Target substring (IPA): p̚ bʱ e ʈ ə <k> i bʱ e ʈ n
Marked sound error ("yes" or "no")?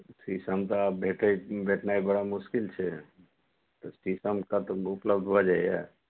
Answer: yes